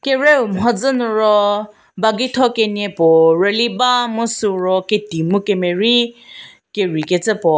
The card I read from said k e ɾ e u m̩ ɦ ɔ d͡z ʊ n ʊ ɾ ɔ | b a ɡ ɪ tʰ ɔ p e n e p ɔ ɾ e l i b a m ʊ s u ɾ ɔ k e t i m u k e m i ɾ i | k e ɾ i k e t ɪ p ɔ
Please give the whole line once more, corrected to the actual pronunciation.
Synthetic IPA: k e ɾ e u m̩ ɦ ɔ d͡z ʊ n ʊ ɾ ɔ | b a ɡ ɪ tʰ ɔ k e n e p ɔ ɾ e l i b a m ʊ s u ɾ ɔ k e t i m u k e m e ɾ i | k e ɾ i k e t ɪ p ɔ